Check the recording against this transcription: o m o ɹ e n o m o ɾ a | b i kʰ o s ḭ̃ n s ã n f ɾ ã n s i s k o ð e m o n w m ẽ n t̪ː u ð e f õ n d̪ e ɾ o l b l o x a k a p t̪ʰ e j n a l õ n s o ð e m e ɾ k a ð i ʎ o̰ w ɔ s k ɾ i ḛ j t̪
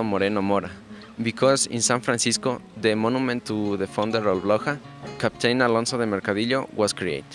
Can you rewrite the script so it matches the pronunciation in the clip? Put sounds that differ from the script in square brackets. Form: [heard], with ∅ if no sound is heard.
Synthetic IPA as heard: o m o [ɾ] e n o m o ɾ a | b i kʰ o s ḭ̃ n s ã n f ɾ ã n s i s k o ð e m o n [u] m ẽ n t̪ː u ð e f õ n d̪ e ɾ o l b l o x a k a p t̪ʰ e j n a l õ n s o ð e m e ɾ k a ð i ʎ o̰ w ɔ s k ɾ i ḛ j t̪

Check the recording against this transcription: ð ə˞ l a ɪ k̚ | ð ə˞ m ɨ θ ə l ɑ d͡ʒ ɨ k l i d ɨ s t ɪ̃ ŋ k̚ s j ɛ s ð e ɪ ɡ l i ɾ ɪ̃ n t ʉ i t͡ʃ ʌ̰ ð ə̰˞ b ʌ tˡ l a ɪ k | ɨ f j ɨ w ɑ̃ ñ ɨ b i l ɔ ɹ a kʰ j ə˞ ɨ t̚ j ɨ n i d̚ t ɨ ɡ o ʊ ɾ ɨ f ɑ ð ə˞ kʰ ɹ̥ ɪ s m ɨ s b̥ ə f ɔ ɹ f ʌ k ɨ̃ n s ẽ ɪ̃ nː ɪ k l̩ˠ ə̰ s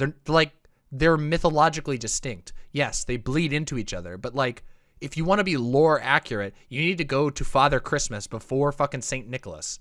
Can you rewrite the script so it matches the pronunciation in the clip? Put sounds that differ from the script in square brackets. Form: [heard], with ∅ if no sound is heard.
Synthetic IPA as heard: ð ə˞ l a ɪ k̚ | ð ə˞ m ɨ θ ə l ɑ d͡ʒ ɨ k l i d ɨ s t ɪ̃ ŋ k̚ [t] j ɛ s ð e ɪ [b] l i ɾ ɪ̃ n t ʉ i t͡ʃ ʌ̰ ð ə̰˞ b ʌ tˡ l a ɪ k | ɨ f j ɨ w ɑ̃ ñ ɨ b i l ɔ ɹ [æ] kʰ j ə˞ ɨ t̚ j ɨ n i d̚ t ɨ ɡ o ʊ ɾ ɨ f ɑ ð ə˞ kʰ ɹ̥ ɪ s m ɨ s b̥ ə f ɔ ɹ f ʌ k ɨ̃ n s ẽ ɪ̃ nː ɪ k l̩ˠ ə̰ s

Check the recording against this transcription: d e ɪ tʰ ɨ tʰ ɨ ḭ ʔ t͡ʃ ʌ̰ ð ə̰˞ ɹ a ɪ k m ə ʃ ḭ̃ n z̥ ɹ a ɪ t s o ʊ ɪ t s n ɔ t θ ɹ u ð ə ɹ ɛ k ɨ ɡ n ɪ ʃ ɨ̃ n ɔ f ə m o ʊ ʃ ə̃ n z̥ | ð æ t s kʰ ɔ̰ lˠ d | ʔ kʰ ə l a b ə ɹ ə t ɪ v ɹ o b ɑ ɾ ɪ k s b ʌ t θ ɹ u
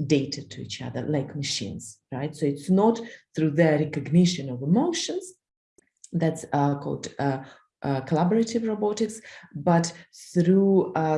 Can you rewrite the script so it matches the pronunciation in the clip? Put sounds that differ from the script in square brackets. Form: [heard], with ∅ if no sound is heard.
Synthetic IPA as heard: d e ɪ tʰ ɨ tʰ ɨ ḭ [∅] t͡ʃ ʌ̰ ð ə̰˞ [l] a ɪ k m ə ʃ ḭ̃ n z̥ ɹ a ɪ t s o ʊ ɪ t s n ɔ t θ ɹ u ð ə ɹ ɛ k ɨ ɡ n ɪ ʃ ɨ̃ n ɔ [v] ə m o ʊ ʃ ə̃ n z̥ | ð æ t s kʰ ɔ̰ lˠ d | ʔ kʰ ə l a b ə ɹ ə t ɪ v ɹ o b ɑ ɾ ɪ k s b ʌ t θ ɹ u

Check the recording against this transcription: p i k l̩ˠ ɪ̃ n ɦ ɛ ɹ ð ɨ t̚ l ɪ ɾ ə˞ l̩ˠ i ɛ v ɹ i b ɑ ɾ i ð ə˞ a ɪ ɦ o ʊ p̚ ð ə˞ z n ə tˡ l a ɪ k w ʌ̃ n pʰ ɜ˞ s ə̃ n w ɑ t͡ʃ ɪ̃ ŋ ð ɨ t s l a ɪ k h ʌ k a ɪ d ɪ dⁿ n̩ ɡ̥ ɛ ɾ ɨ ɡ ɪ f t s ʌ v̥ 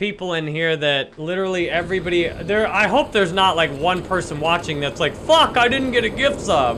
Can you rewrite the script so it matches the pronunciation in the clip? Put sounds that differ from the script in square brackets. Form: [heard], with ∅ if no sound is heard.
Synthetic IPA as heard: p i [p] l̩ˠ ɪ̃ n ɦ [i] ɹ ð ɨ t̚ l ɪ ɾ ə˞ l̩ˠ i ɛ v ɹ i b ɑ ɾ i ð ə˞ a ɪ ɦ o ʊ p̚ ð ə˞ z n ə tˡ l a ɪ k w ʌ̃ n pʰ ɜ˞ s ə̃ n w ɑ t͡ʃ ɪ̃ ŋ ð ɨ t s l a ɪ k [f] ʌ k a ɪ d ɪ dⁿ n̩ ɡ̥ ɛ ɾ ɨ ɡ ɪ f t s ʌ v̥

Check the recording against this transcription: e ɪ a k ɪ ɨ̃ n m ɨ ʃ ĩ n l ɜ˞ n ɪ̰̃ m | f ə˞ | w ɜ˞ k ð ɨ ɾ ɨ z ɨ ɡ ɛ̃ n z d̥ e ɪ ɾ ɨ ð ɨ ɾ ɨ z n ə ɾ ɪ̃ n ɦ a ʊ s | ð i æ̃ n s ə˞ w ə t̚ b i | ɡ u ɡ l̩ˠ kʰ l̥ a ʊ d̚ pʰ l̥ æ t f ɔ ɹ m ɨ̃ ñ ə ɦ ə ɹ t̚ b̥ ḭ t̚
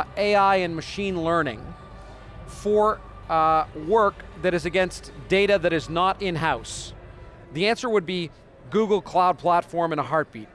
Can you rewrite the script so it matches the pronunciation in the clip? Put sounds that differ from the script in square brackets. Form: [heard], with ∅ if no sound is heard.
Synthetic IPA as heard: e ɪ a [∅] ɪ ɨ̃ n m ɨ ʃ ĩ n l ɜ˞ n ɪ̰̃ [ŋ] | f ə˞ | w ɜ˞ k ð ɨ ɾ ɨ z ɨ ɡ ɛ̃ n [s] d̥ e ɪ ɾ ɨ ð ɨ ɾ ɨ z n ə ɾ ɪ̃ n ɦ a ʊ s | ð i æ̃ n s ə˞ w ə [d̚] b i | ɡ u ɡ l̩ˠ kʰ l̥ a ʊ d̚ pʰ l̥ æ t f ɔ ɹ m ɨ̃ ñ ə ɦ [ɑ] ɹ t̚ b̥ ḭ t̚

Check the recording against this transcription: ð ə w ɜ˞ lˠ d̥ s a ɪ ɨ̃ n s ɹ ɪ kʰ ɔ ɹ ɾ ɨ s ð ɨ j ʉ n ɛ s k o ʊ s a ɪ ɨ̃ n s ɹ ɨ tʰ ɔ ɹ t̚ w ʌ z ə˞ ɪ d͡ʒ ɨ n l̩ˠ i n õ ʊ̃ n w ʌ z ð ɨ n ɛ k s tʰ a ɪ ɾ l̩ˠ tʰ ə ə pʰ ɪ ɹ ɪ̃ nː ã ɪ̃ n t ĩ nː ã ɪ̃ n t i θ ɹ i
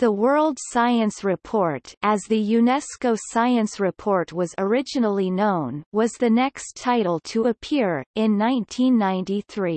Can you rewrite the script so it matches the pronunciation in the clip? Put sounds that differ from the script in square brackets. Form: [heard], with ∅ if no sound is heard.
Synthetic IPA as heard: ð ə w ɜ˞ lˠ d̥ s a ɪ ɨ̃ n s ɹ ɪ [pʰ] ɔ ɹ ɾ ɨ [z] ð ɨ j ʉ n ɛ s k o ʊ s a ɪ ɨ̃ n s ɹ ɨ [pʰ] ɔ ɹ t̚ w ʌ z ə˞ ɪ d͡ʒ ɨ n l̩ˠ i n õ ʊ̃ n w ʌ z ð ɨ n ɛ k s tʰ a ɪ ɾ l̩ˠ tʰ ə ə pʰ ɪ ɹ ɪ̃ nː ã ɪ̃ n [tʰ] ĩ nː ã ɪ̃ n t i θ ɹ i

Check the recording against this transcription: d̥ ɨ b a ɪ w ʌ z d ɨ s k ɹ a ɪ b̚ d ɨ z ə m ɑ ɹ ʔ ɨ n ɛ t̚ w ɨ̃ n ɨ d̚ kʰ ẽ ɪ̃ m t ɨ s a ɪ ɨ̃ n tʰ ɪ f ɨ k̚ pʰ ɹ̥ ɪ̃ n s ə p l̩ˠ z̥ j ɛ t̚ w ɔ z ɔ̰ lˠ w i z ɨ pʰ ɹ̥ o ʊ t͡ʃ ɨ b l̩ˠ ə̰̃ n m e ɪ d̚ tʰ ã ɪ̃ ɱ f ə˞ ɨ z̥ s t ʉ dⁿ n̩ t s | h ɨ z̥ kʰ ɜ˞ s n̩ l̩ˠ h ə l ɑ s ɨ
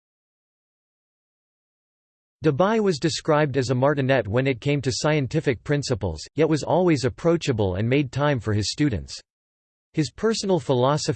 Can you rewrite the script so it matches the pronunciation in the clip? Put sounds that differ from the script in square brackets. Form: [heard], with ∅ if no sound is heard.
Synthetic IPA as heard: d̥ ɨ b a ɪ w ʌ z d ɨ s k ɹ a ɪ b̚ d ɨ z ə m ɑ ɹ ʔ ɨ n ɛ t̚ w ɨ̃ n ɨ [t̚] kʰ ẽ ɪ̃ m t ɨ s a ɪ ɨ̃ n tʰ ɪ f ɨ k̚ pʰ ɹ̥ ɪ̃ n s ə p l̩ˠ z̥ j ɛ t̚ w [ʌ] z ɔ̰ lˠ w i z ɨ pʰ ɹ̥ o ʊ t͡ʃ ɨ b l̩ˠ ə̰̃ n m e ɪ d̚ tʰ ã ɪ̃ ɱ f ə˞ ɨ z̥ s t ʉ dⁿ n̩ t s | h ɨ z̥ [pʰ] ɜ˞ s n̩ l̩ˠ [f] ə l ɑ s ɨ

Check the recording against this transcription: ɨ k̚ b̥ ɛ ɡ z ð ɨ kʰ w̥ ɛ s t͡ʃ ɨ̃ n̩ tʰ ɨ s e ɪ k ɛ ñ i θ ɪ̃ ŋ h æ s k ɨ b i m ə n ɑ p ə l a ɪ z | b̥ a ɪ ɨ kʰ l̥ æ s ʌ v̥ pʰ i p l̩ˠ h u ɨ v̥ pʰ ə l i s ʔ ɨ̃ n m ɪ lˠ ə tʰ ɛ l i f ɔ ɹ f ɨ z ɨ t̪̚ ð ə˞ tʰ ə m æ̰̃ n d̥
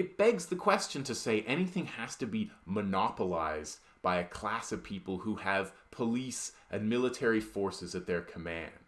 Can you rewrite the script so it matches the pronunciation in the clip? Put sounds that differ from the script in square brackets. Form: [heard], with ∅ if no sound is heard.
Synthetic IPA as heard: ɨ [t̚] b̥ ɛ ɡ z ð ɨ kʰ w̥ ɛ s t͡ʃ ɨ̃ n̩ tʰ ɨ s e ɪ [ʔ] ɛ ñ i θ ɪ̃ ŋ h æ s [t] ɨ b i m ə n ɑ p ə l a ɪ z | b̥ a ɪ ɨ kʰ l̥ æ s ʌ v̥ pʰ i p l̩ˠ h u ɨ v̥ pʰ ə l i s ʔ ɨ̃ n m ɪ lˠ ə tʰ ɛ [ɹ] i f ɔ ɹ [s] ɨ z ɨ t̪̚ ð ə˞ [kʰ] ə m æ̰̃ n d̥

